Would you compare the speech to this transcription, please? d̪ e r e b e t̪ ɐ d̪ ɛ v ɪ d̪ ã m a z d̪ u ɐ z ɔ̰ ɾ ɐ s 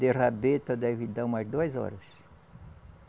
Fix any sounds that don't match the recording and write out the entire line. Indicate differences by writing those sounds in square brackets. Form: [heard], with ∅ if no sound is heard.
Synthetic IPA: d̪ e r [a] b e t̪ ɐ d̪ ɛ v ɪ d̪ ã m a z d̪ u ɐ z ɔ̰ ɾ ɐ s

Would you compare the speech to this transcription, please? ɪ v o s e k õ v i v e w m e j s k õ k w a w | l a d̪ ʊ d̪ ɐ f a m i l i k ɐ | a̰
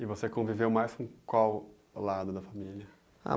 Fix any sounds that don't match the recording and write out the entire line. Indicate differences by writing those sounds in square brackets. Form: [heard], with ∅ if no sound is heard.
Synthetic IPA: ɪ v o s e k õ v i v e w m [a] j s k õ k w a w | l a d̪ ʊ d̪ ɐ f a m i l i [∅] ɐ | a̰

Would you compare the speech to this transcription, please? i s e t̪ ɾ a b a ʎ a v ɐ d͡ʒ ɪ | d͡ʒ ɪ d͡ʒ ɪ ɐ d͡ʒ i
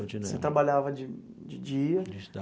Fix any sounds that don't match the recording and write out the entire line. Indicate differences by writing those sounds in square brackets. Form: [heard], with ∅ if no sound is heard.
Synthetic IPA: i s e t̪ ɾ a b a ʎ a v ɐ d͡ʒ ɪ | d͡ʒ ɪ d͡ʒ [i] ɐ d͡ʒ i

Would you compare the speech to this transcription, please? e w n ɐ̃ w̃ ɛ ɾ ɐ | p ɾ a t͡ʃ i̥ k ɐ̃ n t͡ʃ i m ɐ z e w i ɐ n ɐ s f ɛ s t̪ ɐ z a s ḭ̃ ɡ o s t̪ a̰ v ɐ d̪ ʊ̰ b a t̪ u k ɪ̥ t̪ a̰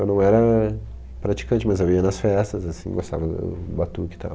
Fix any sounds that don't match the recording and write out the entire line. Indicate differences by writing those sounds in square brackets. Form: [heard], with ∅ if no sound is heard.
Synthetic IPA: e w n ɐ̃ w̃ ɛ ɾ ɐ | p ɾ a t͡ʃ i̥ k ɐ̃ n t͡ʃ [ɪ] m ɐ z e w i ɐ n ɐ s f ɛ s t̪ ɐ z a s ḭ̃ ɡ o s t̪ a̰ v ɐ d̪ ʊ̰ b a t̪ u k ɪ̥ t̪ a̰

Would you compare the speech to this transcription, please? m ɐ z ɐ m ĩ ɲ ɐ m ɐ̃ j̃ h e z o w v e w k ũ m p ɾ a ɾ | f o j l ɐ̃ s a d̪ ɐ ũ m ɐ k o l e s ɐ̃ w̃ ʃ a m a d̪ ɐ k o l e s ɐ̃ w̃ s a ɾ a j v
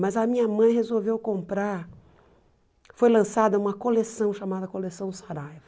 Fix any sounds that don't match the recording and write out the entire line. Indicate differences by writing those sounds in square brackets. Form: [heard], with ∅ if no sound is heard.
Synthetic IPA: m ɐ z ɐ m ĩ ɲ ɐ m ɐ̃ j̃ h e z o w v e w k [õ] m p ɾ a ɾ | f o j l ɐ̃ s a d̪ ɐ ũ m ɐ k o l e s ɐ̃ w̃ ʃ a m a d̪ ɐ k o l e s ɐ̃ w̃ s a ɾ a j v

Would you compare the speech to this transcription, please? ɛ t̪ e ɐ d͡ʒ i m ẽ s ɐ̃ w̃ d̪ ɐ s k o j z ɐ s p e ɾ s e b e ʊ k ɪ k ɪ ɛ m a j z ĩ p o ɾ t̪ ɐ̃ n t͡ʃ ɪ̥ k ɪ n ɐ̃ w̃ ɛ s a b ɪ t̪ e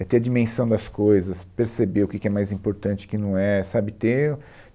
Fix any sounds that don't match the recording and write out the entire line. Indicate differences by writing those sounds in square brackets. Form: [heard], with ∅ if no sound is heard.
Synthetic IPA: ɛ t̪ e ɐ d͡ʒ i m ẽ s ɐ̃ w̃ d̪ ɐ s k o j z ɐ s p e ɾ s e b e ʊ k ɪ k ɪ ɛ m a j z ĩ p o ɾ t̪ ɐ̃ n t͡ʃ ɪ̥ k ɪ n ɐ̃ w̃ ɛ s a b ɪ t̪ e

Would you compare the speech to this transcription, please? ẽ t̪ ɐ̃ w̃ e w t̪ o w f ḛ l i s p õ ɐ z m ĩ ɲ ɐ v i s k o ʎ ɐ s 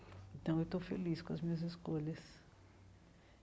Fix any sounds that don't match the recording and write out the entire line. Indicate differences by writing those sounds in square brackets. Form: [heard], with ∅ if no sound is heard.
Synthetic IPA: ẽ t̪ ɐ̃ w̃ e w t̪ o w f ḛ l i s [k] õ ɐ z m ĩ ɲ ɐ [z] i s k o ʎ ɐ s

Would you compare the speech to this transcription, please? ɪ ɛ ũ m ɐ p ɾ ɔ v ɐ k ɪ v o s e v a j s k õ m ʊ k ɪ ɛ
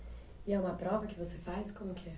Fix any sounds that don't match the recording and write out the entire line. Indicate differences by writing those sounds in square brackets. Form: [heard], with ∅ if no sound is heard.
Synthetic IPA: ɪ ɛ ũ m ɐ p ɾ ɔ v ɐ k ɪ v o s e [f] a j s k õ m ʊ k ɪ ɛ

